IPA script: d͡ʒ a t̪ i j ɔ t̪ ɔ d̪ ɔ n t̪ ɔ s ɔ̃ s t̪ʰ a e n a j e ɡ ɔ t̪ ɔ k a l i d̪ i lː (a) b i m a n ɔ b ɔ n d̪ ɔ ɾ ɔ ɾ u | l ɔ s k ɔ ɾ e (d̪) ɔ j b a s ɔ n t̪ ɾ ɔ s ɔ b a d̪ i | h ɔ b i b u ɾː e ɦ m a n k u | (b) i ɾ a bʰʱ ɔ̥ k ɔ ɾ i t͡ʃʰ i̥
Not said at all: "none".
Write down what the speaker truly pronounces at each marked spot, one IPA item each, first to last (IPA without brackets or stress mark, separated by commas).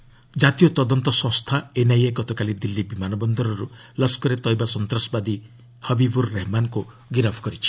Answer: i, t̪, ɡ